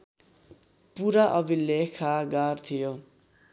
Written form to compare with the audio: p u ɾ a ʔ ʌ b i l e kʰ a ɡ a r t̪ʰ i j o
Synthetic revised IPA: p u ɾ a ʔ ʌ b i l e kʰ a ɡ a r t̪ʰ i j o